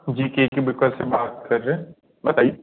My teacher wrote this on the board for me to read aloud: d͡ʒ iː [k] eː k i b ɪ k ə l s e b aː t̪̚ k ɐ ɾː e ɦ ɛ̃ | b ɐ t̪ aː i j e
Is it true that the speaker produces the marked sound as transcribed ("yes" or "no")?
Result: yes